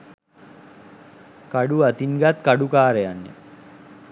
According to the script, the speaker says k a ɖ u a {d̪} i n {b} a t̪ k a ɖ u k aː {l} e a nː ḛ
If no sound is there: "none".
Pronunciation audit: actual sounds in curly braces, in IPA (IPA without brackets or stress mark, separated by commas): t̪, ɡ, ɾ